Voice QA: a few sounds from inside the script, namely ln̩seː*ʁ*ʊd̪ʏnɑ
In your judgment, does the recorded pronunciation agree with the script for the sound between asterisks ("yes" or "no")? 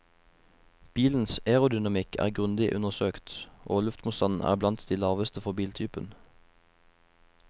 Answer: yes